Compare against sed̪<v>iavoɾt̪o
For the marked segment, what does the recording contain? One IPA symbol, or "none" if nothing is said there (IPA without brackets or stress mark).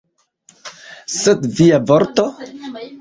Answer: v